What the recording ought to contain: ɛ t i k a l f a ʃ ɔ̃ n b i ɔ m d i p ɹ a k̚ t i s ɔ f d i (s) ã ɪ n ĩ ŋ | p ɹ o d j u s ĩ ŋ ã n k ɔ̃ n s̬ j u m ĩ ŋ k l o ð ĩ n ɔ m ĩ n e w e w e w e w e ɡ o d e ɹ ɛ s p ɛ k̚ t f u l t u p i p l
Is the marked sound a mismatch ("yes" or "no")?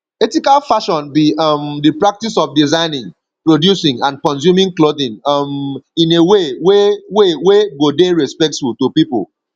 yes